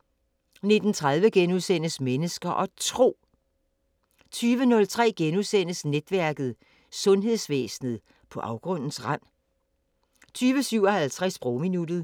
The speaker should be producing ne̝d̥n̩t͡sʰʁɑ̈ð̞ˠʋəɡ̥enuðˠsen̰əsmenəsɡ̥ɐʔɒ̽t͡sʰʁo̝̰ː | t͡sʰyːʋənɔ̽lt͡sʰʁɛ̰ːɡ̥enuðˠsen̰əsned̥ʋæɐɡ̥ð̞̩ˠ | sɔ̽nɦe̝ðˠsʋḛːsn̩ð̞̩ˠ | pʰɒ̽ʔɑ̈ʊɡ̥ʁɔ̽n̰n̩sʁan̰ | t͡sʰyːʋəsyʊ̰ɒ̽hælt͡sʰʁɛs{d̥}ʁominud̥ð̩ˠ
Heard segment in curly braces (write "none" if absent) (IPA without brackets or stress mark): b̥